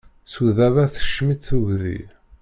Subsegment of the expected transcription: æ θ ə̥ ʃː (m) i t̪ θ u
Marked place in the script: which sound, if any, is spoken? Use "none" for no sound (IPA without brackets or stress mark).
m